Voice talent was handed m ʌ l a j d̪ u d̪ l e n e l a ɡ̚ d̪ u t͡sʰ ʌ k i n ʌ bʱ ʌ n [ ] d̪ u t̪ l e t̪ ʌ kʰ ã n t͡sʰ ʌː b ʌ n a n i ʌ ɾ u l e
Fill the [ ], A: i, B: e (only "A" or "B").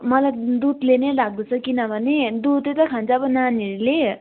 B